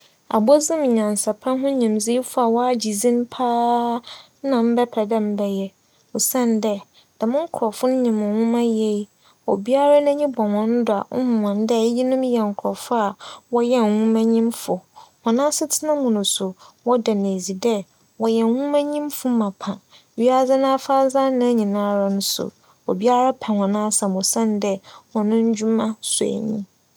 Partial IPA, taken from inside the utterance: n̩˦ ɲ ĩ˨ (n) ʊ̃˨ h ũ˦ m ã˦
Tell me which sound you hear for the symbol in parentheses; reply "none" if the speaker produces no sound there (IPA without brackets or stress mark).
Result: m